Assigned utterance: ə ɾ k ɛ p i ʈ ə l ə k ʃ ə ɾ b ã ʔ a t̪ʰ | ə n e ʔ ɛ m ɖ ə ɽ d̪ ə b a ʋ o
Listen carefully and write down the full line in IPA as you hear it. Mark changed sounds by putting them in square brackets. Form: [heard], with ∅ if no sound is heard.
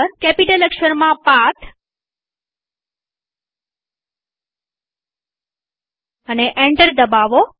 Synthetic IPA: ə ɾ k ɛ p i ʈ ə l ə k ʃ ə ɾ [m] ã [p] a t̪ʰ | ə n e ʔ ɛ [ɳ] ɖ ə [ɾ] d̪ ə b a ʋ o